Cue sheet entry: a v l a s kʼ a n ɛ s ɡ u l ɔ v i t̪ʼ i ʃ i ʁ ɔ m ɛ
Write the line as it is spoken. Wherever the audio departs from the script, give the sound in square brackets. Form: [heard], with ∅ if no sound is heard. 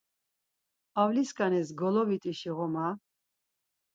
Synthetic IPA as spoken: a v l [i] s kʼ a n ɛ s ɡ [ɔ] l ɔ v i t̪ʼ i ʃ i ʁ ɔ m [a]